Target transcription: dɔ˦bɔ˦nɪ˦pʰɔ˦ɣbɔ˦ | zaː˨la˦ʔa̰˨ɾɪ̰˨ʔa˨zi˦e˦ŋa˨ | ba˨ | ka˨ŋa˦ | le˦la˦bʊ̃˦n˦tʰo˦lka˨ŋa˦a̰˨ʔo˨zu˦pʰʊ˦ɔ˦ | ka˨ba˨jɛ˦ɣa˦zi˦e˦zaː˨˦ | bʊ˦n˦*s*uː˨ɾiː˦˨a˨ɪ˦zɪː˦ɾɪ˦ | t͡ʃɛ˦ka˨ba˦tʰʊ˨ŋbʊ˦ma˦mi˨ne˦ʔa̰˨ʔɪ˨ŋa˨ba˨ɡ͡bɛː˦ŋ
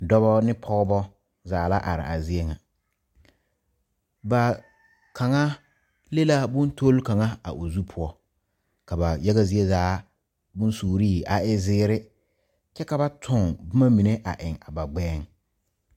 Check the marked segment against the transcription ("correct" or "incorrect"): correct